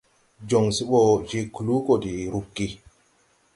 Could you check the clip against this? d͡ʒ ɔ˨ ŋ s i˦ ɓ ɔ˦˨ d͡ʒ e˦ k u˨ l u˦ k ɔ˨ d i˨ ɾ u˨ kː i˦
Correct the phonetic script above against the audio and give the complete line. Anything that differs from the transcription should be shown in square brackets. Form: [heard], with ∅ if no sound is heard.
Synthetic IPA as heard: d͡ʒ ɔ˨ ŋ s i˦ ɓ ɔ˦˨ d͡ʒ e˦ k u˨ l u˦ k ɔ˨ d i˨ ɾ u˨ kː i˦